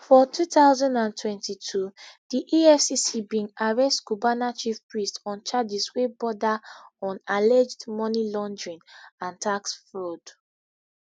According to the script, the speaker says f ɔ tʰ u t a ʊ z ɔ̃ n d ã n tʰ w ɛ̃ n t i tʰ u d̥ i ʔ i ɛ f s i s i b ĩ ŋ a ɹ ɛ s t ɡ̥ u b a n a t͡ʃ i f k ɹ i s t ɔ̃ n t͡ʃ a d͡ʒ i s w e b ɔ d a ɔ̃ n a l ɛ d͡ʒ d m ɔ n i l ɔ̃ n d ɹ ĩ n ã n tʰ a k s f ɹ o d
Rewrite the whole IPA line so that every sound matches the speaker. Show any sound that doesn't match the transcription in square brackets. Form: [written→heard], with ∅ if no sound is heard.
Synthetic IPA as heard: f ɔ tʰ u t a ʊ z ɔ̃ n d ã n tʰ w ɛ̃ n t i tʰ u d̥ i ʔ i ɛ f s i s i b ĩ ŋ a ɹ ɛ s t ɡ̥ u b a n a t͡ʃ i f [k→p] ɹ i s t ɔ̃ n t͡ʃ a d͡ʒ i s w e b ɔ d a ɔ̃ n a l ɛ d͡ʒ d m ɔ n i l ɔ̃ n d ɹ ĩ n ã n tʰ a k s f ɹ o d